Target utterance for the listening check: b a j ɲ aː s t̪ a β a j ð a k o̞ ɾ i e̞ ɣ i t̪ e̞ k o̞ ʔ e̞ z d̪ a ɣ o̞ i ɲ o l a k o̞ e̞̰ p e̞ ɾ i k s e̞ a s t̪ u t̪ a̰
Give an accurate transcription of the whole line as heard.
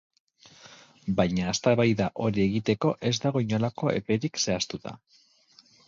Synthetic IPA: b a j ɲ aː s t̪ a β a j ð a ʔ o̞ ɾ i e̞ ɣ i t̪ e̞ k o̞ ʔ e̞ z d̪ a ɣ o̞ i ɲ o l a k o̞ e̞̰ p e̞ ɾ i k s e̞ a s t̪ u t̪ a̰